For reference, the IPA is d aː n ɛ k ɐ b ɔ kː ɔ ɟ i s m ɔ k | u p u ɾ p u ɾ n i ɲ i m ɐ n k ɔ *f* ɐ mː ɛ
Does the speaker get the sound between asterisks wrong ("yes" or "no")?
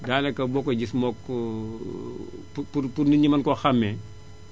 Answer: yes